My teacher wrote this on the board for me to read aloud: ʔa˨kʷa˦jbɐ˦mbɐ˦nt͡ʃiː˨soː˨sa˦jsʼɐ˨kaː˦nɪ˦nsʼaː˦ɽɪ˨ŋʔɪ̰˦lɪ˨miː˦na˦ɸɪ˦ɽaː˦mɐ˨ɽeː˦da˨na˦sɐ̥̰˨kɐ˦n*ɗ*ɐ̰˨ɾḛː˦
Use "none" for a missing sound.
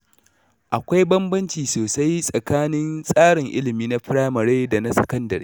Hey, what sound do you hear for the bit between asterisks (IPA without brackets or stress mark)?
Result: d